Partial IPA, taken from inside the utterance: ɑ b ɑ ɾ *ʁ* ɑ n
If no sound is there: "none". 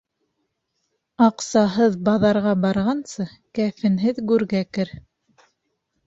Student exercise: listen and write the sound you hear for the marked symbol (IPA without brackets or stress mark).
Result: ʁ